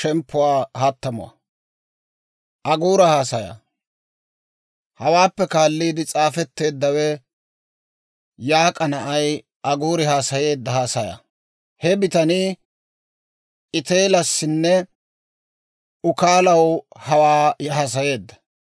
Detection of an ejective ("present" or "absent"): present